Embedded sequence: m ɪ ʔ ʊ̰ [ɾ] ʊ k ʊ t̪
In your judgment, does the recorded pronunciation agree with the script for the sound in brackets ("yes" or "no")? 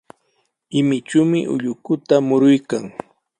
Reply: no